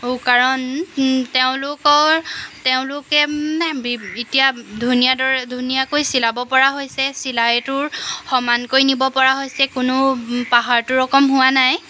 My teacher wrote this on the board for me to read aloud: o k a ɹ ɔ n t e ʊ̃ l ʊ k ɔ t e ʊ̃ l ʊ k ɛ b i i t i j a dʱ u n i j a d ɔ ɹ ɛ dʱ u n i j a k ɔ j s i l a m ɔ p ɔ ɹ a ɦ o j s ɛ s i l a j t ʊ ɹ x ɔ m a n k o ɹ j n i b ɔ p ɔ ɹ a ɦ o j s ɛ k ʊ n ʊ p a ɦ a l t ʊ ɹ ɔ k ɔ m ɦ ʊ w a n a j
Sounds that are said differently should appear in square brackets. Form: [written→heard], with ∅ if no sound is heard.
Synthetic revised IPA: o k a ɹ ɔ n t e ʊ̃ l ʊ k ɔ t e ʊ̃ l ʊ k ɛ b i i t i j a dʱ u n i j a d ɔ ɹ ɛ dʱ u n i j a k [ɔ→o] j s i l a [m→b] ɔ p ɔ ɹ a ɦ o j s ɛ s i l a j t ʊ ɹ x ɔ m a n k o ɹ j n i b ɔ p ɔ ɹ a ɦ o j s ɛ k ʊ n ʊ p a ɦ a [l→ɹ] t ʊ ɹ ɔ k ɔ m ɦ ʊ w a n a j